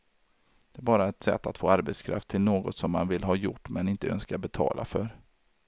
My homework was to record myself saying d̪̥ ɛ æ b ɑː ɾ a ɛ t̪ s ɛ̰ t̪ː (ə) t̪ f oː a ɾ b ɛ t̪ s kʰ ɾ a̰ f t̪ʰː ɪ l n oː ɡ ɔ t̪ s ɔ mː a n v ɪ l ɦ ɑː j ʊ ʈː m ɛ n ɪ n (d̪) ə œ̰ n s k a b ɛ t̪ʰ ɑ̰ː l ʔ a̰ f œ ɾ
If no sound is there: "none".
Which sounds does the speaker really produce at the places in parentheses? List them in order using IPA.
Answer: a, t̪

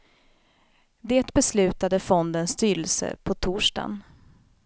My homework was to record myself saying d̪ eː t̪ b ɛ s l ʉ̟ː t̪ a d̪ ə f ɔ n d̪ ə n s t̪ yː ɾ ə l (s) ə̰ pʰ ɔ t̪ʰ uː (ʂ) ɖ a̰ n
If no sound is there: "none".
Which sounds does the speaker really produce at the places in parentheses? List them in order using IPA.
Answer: s, ʂ

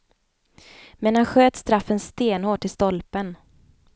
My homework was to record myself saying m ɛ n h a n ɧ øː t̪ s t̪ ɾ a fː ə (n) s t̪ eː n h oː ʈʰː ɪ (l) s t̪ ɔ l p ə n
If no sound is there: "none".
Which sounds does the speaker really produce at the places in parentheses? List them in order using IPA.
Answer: n, l

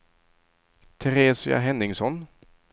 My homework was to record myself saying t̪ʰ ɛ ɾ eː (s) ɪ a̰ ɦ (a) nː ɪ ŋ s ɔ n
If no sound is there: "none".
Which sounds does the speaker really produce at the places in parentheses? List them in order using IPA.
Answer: s, ɛ

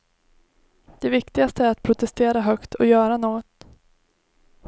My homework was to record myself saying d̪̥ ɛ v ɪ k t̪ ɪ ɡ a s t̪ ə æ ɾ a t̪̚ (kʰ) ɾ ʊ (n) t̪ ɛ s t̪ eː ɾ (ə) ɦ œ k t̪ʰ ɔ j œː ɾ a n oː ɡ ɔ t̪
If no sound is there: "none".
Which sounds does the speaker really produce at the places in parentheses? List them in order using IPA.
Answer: pʰ, none, a

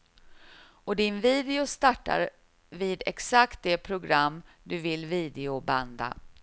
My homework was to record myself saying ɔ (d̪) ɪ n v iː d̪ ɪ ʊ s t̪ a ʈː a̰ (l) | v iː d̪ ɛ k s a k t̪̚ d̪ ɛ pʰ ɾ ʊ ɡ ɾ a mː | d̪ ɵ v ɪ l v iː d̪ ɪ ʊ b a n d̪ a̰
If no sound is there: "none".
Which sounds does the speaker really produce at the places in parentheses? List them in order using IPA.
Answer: d̪, ɾ

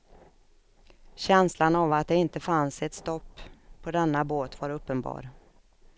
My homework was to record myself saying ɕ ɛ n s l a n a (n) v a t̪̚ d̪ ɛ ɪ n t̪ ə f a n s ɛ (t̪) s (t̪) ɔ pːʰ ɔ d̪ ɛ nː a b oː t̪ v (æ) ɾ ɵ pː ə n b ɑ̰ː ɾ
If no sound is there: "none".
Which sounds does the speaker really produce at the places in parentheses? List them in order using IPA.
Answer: none, t̪, t̪, a

